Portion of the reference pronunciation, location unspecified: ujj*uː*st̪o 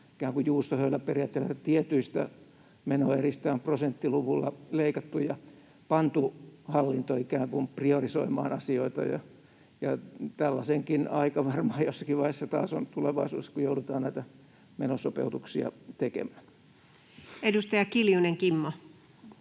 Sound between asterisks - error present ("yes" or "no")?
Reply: no